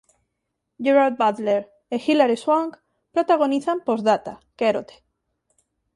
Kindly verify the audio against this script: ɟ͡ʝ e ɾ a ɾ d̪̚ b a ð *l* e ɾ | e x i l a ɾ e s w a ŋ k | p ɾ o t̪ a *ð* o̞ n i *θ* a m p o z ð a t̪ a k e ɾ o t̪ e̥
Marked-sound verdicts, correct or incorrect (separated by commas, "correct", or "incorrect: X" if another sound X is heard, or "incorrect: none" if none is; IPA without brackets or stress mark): correct, incorrect: ɣ, correct